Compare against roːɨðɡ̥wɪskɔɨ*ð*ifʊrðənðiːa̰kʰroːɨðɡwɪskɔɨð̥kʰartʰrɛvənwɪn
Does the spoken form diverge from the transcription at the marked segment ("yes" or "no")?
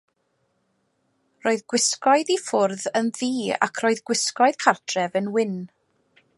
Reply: no